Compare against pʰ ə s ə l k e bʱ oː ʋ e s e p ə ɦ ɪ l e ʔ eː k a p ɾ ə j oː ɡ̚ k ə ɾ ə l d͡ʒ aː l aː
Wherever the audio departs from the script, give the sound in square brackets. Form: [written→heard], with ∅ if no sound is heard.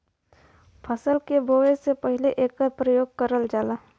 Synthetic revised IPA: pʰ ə s ə l k e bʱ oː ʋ e s e p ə ɦ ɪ l e ʔ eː k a p ɾ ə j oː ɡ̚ k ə ɾ ə l d͡ʒ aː l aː